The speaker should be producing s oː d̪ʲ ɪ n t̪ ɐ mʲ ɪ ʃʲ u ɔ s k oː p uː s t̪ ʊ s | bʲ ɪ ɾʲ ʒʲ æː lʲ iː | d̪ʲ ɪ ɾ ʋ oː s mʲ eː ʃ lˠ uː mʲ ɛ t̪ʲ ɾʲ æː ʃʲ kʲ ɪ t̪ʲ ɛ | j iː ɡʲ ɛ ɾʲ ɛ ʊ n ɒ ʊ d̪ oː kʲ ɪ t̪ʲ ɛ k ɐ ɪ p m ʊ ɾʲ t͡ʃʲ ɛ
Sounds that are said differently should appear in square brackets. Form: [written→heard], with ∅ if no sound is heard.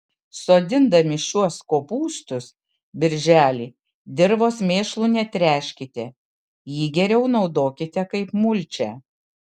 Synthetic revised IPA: s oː d̪ʲ ɪ n [t̪→d̪] ɐ mʲ ɪ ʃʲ u ɔ s k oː p uː s t̪ ʊ s | bʲ ɪ ɾʲ ʒʲ æː lʲ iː | d̪ʲ ɪ ɾ ʋ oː s mʲ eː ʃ lˠ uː [mʲ→nʲ] ɛ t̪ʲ ɾʲ æː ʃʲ kʲ ɪ t̪ʲ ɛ | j iː ɡʲ ɛ ɾʲ ɛ ʊ n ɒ ʊ d̪ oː kʲ ɪ t̪ʲ ɛ k ɐ ɪ p m ʊ [ɾʲ→lʲ] t͡ʃʲ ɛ